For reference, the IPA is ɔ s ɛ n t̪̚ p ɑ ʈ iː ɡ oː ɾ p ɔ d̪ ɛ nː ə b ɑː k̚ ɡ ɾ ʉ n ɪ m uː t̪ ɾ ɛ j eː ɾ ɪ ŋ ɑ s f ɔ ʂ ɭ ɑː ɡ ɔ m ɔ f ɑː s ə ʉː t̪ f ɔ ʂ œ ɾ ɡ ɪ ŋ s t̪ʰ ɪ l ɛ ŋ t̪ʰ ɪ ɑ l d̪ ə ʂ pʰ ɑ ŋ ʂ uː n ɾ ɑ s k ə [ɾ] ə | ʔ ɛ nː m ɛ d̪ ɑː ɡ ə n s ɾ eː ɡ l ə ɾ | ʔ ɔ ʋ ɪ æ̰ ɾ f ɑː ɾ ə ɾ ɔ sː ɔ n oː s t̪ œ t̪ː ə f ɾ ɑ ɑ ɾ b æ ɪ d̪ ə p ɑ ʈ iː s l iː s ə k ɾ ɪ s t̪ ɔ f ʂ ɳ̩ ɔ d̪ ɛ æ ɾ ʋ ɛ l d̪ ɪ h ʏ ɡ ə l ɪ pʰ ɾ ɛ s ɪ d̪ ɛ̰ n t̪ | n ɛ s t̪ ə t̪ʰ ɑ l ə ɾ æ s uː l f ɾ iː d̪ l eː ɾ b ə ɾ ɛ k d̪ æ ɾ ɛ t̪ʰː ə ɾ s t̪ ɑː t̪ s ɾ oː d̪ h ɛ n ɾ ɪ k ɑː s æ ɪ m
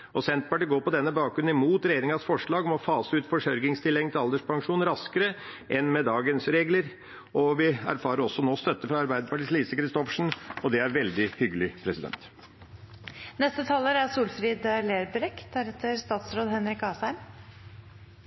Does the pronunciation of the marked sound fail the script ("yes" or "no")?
no